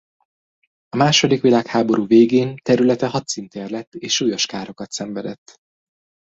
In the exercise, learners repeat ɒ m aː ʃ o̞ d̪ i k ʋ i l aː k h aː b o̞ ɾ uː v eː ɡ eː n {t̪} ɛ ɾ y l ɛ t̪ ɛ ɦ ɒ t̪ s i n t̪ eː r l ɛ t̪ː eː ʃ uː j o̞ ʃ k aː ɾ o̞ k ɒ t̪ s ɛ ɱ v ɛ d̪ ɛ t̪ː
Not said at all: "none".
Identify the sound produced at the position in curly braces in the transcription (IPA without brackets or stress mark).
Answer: t̪